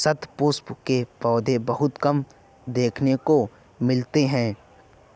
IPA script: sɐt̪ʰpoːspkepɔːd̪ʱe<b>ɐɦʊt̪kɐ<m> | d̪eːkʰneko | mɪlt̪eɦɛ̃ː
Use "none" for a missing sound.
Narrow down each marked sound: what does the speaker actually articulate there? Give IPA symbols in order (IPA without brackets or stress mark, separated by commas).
b, m